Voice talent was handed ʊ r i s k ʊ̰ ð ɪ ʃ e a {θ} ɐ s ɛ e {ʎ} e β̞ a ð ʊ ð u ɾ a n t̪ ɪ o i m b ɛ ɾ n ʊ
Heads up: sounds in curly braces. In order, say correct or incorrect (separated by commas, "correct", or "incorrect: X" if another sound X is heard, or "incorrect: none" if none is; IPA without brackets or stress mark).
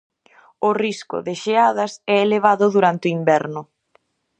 incorrect: ð, incorrect: l